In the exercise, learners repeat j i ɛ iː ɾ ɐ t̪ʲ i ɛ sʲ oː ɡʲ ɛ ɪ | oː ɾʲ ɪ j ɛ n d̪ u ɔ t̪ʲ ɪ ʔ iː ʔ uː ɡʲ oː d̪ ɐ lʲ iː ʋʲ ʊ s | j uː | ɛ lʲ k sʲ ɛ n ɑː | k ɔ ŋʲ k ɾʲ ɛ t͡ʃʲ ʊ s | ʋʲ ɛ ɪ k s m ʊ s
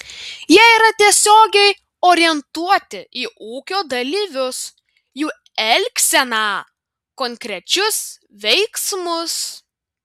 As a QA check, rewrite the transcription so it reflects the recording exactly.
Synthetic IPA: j i ɛ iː ɾ ɐ t̪ʲ i ɛ sʲ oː ɡʲ ɛ ɪ | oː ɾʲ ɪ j ɛ n t̪ u ɔ t̪ʲ ɪ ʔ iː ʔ uː kʲ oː d̪ ɐ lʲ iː ʋʲ ʊ s | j uː | ɛ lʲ k sʲ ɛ n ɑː | k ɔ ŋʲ k ɾʲ ɛ t͡ʃʲ ʊ s | ʋʲ ɛ ɪ k s m ʊ s